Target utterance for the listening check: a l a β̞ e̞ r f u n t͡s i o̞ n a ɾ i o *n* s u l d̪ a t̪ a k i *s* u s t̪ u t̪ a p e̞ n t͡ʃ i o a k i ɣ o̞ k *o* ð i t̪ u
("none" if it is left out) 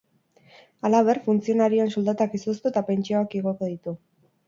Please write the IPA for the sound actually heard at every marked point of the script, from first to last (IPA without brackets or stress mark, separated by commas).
n, s, o